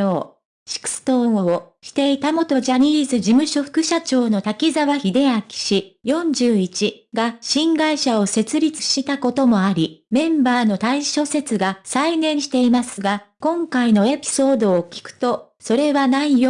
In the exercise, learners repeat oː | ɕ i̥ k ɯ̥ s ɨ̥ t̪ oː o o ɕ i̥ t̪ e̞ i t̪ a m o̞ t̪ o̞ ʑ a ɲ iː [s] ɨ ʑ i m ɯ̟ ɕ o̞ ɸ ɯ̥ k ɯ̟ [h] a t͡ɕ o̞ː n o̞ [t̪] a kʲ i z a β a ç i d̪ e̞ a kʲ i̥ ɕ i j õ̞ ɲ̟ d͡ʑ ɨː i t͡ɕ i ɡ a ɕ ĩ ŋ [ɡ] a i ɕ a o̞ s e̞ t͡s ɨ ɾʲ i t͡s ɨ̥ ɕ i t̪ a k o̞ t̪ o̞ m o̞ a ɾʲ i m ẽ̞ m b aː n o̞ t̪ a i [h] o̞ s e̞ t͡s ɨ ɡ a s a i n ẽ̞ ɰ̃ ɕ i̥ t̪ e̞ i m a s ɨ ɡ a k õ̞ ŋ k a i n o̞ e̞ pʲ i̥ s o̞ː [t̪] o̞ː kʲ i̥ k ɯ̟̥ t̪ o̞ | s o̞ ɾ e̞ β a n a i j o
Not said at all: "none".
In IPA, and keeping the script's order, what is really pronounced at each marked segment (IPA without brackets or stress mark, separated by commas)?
z, ɕ, t̪, ɡ, ɕ, d̪